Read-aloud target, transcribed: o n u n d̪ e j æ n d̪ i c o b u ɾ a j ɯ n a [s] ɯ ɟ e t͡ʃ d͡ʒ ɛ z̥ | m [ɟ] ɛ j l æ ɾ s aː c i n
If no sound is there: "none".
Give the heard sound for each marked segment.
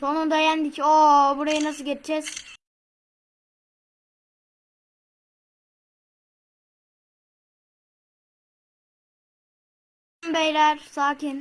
s, b

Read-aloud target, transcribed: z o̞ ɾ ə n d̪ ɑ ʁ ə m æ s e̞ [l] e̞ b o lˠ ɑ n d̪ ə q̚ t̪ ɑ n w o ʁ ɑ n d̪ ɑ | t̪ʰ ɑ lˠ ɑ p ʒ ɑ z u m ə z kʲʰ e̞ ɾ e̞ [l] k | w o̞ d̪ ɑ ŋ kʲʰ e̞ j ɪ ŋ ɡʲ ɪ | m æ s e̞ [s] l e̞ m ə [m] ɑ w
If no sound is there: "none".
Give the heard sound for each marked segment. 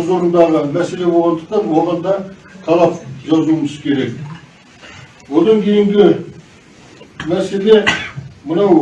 l, none, none, n

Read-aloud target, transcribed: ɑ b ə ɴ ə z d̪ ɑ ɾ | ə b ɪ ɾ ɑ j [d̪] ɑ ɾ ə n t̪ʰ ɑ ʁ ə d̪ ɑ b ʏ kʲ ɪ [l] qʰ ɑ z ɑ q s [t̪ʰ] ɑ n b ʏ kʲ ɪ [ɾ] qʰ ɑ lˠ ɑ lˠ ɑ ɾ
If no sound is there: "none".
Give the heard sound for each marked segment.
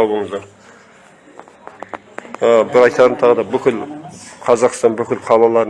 t̪, l, t̪, l

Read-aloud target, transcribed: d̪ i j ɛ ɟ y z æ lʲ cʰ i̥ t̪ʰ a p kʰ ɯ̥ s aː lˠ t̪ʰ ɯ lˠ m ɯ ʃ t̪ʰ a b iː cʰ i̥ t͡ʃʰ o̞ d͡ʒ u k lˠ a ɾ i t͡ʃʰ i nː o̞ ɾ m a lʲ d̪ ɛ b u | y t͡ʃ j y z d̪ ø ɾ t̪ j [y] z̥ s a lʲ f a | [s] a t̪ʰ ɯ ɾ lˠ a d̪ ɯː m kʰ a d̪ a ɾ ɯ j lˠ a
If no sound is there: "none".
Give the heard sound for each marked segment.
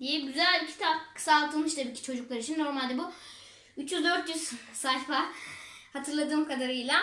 y, h

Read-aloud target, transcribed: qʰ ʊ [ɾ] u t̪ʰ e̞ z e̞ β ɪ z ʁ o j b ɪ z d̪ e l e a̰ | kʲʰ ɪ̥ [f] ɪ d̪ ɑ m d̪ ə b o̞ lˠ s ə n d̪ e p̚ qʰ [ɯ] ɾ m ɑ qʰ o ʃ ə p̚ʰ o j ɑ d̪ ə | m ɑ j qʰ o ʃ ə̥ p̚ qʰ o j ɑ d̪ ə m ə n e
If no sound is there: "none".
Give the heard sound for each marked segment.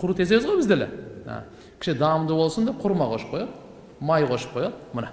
ɾ, ʃ, ʊ

